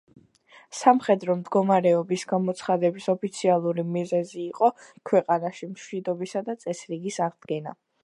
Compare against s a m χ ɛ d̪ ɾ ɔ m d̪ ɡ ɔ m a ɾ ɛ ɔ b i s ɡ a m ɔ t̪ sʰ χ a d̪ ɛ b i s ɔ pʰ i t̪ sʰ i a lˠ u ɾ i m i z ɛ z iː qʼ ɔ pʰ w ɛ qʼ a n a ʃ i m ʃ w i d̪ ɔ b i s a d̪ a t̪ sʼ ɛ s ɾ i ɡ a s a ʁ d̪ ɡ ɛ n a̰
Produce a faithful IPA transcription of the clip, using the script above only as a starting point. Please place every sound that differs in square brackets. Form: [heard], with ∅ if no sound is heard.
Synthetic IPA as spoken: s a m χ ɛ d̪ ɾ ɔ m d̪ ɡ ɔ m a ɾ ɛ ɔ b i s ɡ a m ɔ t̪ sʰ χ a d̪ ɛ b i s ɔ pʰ i t̪ sʰ i a lˠ u ɾ i m i z ɛ z iː qʼ ɔ [kʰ] w ɛ qʼ a n a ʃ i m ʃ w i d̪ ɔ b i s a d̪ a t̪ sʼ ɛ s ɾ i ɡ [i] s a ʁ d̪ ɡ ɛ n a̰

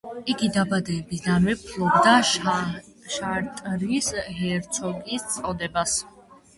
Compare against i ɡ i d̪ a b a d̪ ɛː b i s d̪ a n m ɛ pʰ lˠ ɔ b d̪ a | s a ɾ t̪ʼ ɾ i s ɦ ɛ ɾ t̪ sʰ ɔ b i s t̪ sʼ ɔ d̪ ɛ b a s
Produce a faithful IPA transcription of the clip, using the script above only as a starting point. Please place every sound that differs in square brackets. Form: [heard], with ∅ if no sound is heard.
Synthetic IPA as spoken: i ɡ i d̪ a b a d̪ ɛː b i s d̪ a n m ɛ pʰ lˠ ɔ b d̪ a | [ʃ] a ɾ t̪ʼ ɾ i s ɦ ɛ ɾ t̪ sʰ ɔ [ɡ] i s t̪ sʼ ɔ d̪ ɛ b a s

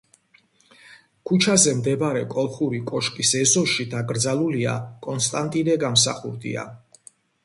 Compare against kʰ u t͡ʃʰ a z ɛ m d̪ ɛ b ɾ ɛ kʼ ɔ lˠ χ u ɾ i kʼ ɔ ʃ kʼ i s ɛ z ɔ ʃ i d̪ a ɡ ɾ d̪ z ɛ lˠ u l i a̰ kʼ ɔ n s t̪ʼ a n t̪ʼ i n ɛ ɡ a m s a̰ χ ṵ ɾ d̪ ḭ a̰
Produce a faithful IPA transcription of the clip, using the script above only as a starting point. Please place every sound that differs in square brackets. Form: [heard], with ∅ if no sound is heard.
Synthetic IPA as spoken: kʰ u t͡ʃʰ a z ɛ m d̪ ɛ b ɾ ɛ kʼ ɔ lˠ χ u ɾ i kʼ ɔ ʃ kʼ i s ɛ z ɔ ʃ i d̪ a ɡ ɾ d̪ z [a] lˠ u l i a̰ kʼ ɔ n s t̪ʼ a n t̪ʼ i n ɛ ɡ a m s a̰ χ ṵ ɾ d̪ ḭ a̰

